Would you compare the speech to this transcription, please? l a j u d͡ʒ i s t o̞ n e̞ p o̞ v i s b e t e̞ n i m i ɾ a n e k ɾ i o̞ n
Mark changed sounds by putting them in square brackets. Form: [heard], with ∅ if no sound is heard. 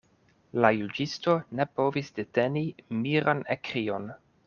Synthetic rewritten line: l a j u d͡ʒ i s t o̞ n e̞ p o̞ v i s [d] e t e̞ n i m i ɾ a n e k ɾ i o̞ n